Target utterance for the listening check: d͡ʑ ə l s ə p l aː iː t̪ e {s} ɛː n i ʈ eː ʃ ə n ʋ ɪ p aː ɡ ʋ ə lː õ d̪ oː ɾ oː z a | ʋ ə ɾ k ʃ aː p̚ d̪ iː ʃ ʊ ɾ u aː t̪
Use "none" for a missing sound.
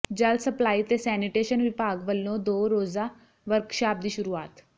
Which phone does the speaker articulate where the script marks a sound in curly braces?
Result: s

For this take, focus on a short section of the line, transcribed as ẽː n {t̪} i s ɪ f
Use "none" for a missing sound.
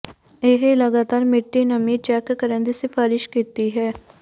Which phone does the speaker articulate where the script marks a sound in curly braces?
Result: d̪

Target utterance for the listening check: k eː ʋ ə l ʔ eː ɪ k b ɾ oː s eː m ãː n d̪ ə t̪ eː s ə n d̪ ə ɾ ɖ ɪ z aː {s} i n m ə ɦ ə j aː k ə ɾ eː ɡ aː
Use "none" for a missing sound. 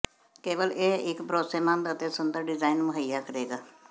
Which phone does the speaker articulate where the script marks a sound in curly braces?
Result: none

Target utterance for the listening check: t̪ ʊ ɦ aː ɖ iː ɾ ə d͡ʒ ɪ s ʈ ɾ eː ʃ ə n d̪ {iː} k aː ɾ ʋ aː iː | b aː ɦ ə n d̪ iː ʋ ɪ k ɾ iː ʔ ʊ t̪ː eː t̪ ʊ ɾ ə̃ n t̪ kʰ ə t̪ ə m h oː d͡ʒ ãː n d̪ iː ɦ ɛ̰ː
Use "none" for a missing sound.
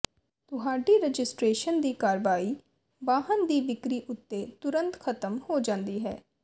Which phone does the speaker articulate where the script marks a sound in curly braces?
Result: iː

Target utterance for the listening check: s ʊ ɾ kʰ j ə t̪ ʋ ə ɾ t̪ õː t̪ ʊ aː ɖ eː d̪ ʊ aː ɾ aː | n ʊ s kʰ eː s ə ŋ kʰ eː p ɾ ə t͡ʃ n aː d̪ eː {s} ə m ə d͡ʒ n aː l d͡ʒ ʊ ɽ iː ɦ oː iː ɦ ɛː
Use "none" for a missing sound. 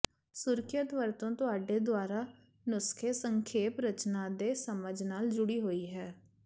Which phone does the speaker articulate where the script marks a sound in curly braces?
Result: s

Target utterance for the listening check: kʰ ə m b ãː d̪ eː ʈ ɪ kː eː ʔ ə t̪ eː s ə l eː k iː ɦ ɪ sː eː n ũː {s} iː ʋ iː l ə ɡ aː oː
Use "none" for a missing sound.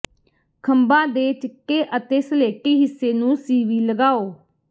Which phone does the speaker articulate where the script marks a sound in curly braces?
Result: s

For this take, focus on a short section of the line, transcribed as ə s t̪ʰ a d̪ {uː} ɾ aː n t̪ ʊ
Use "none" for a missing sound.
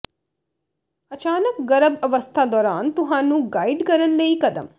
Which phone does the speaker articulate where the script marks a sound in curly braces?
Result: ɔː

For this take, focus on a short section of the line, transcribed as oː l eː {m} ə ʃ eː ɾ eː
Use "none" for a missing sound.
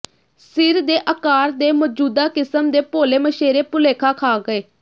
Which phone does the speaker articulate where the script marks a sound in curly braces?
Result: m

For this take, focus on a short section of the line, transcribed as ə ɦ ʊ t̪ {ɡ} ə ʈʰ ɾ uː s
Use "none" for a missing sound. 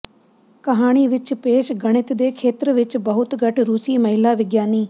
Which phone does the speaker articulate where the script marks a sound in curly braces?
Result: ɡ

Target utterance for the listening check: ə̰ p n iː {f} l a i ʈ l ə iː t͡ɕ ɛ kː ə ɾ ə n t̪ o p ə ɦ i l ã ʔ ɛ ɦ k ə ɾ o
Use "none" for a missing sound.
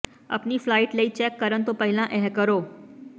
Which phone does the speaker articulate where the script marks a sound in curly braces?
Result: f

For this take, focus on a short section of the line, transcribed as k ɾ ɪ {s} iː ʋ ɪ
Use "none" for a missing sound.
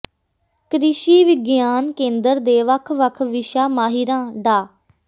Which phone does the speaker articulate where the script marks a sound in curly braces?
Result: ʃ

